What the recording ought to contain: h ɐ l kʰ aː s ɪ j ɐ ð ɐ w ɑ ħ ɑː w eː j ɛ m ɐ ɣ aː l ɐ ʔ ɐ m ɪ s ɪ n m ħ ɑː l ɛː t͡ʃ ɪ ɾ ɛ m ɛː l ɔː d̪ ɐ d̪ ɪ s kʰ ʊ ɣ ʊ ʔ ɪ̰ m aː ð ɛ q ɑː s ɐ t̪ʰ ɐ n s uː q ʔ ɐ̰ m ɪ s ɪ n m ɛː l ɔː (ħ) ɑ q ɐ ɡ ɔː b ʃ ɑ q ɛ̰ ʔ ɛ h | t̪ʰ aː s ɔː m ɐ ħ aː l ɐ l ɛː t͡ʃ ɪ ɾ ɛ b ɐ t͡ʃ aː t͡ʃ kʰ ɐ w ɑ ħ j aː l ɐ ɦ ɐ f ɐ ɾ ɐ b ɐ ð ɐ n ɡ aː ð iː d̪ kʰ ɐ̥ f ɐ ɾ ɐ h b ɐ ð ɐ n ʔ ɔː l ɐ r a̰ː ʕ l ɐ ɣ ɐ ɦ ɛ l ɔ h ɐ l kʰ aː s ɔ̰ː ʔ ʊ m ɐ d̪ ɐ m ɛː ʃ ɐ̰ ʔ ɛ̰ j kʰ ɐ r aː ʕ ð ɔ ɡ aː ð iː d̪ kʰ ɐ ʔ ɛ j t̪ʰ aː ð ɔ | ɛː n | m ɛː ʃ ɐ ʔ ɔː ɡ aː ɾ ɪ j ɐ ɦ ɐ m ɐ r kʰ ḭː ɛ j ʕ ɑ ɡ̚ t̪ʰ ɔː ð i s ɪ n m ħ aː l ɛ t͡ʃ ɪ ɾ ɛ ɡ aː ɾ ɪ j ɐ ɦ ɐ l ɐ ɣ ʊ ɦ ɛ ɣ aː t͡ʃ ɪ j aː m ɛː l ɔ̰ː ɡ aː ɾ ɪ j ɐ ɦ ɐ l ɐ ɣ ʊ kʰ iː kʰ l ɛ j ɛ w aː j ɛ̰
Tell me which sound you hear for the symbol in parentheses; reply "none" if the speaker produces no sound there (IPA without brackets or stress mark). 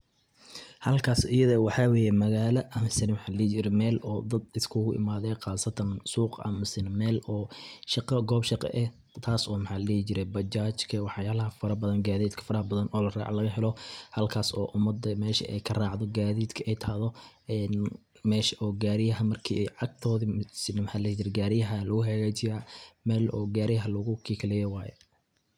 ʃ